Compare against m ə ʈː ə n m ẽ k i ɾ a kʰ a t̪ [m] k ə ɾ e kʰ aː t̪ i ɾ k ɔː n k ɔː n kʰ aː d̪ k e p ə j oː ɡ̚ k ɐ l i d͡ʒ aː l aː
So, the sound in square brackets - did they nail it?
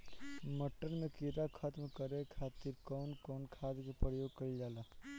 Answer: yes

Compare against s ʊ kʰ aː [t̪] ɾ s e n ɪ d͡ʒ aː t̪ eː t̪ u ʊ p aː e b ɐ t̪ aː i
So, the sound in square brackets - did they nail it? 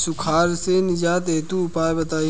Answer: no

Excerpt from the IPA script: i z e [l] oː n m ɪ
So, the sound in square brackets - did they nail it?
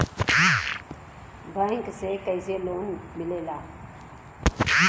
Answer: yes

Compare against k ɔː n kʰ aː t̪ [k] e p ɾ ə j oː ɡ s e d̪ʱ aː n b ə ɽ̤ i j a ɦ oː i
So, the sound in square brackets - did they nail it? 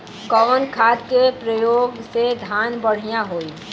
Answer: yes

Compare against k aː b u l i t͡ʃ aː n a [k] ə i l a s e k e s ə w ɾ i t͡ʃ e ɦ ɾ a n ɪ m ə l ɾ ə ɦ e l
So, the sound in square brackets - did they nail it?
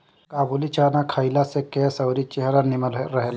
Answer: no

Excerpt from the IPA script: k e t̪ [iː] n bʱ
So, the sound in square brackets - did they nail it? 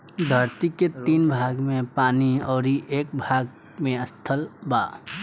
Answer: yes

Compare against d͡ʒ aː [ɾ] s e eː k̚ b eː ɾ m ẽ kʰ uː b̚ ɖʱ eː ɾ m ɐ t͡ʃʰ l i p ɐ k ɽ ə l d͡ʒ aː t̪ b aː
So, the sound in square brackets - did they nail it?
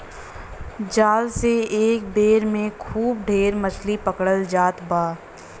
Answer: no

